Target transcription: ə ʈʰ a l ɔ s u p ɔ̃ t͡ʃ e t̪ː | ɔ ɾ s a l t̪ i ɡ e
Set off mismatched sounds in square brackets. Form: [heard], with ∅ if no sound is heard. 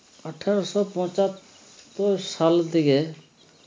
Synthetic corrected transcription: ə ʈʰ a [ɾ] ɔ s [ɔ] p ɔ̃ t͡ʃ [a] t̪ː | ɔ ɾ s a l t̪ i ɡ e